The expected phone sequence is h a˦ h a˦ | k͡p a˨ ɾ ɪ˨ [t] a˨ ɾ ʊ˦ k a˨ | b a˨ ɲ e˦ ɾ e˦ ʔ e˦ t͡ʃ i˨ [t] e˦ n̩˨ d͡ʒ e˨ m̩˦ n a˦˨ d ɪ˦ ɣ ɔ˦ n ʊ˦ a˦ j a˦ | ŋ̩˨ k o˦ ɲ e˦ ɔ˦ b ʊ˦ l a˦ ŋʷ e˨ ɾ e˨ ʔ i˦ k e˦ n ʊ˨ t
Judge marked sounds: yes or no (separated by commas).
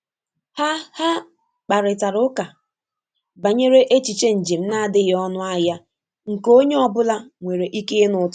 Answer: yes, no